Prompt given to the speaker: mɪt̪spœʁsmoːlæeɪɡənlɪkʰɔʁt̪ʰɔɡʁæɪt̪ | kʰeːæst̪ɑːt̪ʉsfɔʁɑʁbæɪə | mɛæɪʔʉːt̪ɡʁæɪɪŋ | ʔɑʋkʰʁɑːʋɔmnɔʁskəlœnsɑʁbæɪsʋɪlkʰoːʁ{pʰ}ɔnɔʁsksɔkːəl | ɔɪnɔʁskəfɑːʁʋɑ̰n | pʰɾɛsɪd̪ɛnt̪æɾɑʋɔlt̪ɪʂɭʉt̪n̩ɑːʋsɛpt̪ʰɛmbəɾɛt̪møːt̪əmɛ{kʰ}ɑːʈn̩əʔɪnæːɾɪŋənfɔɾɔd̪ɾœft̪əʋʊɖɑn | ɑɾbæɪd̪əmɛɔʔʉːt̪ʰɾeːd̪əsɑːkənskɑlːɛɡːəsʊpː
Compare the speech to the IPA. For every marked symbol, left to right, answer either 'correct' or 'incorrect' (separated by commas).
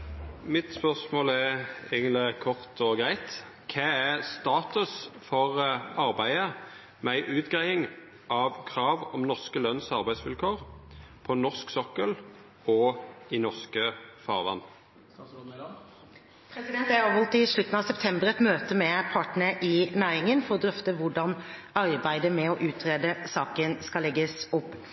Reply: correct, incorrect